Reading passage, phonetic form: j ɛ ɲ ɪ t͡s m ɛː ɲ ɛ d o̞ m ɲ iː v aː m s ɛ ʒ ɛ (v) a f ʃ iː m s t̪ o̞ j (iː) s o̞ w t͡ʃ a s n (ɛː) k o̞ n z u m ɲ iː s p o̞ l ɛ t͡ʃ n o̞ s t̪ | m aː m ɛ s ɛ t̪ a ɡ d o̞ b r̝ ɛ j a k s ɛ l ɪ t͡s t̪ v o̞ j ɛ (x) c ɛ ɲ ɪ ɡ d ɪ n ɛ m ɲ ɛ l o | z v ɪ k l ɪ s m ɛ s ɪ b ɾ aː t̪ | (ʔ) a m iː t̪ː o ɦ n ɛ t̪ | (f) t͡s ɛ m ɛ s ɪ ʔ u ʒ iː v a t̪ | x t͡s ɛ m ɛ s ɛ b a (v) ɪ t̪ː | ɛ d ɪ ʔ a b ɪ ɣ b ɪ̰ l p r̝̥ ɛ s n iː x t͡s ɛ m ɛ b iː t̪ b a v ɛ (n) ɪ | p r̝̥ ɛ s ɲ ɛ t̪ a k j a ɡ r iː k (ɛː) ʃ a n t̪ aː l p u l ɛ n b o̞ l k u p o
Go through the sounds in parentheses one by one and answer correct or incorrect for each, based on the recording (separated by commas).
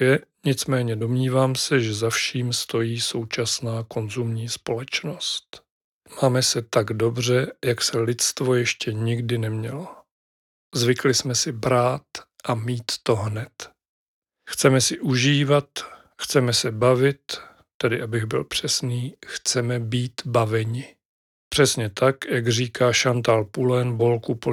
incorrect, correct, incorrect, incorrect, correct, incorrect, correct, incorrect, incorrect